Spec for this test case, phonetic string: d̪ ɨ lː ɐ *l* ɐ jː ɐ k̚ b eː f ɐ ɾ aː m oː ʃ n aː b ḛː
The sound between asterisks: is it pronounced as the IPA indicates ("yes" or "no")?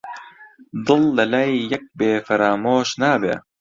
yes